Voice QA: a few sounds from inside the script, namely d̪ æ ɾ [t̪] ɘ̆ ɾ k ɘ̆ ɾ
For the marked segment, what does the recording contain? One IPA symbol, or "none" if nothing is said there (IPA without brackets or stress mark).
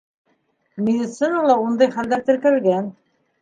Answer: t̪